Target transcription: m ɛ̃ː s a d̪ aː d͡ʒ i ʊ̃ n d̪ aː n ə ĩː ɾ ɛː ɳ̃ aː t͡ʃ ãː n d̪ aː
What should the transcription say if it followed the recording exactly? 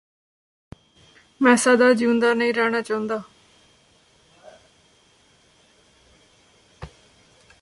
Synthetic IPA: m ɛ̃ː s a d̪ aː d͡ʒ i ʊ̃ n d̪ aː n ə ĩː ɾ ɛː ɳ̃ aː t͡ʃ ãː n d̪ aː